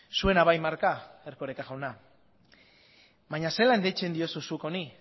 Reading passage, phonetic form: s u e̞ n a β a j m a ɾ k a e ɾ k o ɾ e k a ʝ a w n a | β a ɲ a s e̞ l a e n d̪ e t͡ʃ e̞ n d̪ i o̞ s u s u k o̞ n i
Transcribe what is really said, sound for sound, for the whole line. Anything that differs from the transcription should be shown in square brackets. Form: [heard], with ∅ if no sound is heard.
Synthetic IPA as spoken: s u e̞ n a β a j m a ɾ k a e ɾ k o ɾ e k a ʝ a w n a | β a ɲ a s e̞ l a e n d̪ e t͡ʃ e̞ n d̪ i o̞ s u s u k o̞ n i